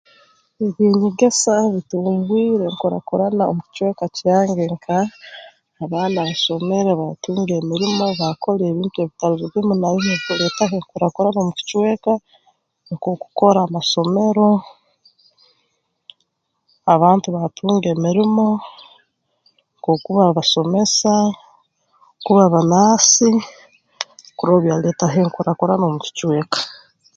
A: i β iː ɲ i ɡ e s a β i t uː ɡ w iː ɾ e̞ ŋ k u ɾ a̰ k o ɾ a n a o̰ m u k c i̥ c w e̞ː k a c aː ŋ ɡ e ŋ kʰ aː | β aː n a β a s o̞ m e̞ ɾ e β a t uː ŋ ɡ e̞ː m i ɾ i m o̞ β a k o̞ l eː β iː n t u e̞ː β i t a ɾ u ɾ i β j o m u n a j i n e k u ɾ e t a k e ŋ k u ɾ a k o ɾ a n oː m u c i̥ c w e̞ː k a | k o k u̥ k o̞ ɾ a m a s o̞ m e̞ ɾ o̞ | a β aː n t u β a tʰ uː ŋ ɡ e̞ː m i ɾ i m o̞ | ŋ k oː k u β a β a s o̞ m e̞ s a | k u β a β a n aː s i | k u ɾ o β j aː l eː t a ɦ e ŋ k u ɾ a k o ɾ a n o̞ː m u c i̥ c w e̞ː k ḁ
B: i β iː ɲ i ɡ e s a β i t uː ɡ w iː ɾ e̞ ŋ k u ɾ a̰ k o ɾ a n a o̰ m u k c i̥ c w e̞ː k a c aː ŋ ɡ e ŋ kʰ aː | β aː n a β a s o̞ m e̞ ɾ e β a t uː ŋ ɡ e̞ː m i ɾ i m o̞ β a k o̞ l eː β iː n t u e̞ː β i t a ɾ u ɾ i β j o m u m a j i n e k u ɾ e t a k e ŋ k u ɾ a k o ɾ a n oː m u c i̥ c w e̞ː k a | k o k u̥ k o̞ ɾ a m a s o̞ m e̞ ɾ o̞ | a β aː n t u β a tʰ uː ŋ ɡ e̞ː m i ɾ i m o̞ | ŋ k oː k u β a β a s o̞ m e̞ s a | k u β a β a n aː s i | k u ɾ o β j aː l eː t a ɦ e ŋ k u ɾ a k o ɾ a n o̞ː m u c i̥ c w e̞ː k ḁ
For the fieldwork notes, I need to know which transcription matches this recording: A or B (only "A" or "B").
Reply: A